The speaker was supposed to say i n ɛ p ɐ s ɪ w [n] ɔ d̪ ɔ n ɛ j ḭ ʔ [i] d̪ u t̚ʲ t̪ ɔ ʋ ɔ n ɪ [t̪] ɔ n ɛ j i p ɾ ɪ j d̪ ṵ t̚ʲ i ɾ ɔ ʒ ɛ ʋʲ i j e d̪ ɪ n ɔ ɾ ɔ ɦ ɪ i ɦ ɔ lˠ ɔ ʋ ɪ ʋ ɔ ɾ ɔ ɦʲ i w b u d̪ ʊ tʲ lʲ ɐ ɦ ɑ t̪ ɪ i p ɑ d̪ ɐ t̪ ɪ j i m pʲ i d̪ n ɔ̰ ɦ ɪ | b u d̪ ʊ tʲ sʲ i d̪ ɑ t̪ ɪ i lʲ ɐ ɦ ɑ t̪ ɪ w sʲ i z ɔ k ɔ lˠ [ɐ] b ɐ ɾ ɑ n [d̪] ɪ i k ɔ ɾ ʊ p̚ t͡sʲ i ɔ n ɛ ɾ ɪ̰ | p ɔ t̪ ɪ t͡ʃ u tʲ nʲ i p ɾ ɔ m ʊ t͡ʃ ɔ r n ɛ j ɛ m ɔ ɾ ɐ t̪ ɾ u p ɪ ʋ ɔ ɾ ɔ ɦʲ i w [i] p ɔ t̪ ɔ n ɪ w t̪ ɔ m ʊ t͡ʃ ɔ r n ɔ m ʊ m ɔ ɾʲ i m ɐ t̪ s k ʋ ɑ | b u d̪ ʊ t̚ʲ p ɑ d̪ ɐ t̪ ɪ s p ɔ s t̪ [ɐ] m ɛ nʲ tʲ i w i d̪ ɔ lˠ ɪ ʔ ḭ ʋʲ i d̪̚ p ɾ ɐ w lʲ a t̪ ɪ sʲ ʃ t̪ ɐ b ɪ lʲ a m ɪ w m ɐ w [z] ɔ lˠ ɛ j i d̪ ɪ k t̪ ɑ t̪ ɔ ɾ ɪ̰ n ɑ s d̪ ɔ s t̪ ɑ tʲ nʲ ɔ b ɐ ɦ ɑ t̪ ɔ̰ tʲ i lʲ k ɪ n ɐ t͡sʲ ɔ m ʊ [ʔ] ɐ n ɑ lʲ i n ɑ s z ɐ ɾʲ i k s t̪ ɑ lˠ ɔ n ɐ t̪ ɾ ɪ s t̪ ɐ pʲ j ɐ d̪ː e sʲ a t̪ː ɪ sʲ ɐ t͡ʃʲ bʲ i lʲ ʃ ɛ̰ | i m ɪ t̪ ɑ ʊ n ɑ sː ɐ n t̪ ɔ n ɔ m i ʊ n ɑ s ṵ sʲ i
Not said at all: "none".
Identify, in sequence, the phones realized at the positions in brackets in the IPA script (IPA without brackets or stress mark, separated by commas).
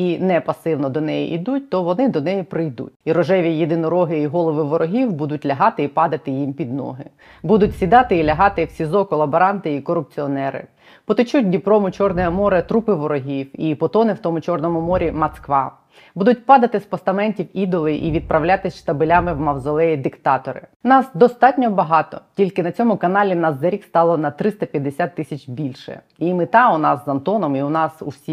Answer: n, i, d̪, ɐ, t̪, i, ɐ, z, k